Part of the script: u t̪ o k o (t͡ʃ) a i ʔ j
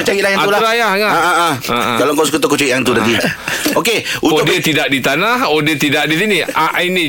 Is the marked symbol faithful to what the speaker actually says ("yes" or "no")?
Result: yes